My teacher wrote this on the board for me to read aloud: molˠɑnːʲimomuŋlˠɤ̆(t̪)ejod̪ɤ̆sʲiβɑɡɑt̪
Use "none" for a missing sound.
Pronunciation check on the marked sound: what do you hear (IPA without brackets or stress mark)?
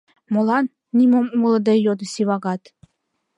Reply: d̪